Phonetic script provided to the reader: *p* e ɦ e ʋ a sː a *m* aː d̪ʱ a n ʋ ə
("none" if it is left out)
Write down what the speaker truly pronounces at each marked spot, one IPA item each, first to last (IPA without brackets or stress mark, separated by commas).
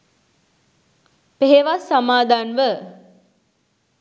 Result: p, m